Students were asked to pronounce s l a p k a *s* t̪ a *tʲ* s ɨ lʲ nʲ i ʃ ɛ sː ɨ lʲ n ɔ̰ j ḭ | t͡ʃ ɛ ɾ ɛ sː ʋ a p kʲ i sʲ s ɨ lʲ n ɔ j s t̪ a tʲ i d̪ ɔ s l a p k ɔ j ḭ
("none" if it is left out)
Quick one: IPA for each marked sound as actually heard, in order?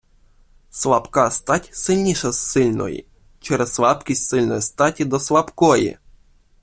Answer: s, tʲ

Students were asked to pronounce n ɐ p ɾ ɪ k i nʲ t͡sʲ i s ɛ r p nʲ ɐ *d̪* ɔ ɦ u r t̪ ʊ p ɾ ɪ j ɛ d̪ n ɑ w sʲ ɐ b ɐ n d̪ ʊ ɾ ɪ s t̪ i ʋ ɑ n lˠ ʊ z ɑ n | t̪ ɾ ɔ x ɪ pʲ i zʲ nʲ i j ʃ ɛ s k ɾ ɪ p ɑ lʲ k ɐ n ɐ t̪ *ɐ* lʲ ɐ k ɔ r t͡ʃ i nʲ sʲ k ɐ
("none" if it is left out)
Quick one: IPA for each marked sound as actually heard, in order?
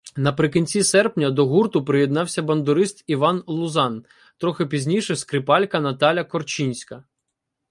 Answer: d̪, ɑ

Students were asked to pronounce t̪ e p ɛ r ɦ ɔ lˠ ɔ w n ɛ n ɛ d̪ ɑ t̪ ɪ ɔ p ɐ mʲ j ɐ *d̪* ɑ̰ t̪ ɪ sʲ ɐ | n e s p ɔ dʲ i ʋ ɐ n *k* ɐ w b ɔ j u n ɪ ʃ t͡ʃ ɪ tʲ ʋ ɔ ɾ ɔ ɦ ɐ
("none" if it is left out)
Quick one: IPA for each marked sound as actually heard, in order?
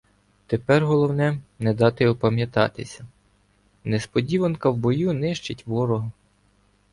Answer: t̪, k

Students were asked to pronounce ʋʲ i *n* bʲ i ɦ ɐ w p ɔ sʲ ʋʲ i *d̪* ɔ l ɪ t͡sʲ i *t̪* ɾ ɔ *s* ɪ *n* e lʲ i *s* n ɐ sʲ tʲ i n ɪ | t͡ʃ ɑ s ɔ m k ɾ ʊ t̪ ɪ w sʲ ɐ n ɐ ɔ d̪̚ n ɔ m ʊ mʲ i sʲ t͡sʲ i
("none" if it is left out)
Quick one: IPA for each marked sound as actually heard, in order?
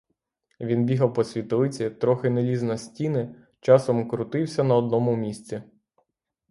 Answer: n, t̪, t̪, x, n, z

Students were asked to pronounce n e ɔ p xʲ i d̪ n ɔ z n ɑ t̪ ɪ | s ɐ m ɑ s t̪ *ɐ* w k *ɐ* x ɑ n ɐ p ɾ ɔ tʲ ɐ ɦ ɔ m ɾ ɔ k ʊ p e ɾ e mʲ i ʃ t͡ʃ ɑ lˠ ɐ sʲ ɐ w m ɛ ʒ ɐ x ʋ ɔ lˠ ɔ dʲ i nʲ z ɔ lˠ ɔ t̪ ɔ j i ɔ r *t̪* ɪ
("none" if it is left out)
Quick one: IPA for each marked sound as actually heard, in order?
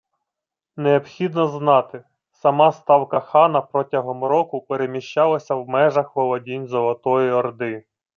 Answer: ɑ, ɐ, d̪

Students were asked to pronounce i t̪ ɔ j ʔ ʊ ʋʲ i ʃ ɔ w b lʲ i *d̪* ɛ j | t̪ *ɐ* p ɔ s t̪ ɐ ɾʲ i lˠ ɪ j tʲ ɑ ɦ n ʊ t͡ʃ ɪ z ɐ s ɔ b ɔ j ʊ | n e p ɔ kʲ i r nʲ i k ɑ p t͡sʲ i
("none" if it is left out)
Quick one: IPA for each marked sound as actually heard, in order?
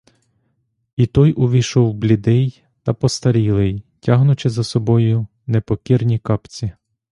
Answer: d̪, ɐ

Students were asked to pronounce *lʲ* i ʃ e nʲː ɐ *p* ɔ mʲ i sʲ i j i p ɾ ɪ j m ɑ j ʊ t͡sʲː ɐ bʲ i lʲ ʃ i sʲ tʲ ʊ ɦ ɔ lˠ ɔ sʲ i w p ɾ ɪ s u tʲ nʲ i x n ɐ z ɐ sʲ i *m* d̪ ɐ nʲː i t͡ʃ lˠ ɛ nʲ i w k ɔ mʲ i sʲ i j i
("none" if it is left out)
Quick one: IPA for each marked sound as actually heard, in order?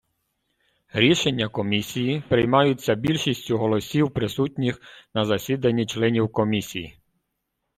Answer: ɾʲ, k, none

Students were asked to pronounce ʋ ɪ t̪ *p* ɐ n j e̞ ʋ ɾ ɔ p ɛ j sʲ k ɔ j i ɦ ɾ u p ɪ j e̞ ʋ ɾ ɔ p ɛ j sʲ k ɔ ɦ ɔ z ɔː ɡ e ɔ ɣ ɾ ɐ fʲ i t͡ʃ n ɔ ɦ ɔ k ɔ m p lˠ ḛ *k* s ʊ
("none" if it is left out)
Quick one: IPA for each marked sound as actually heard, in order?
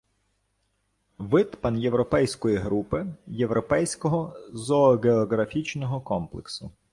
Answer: p, k

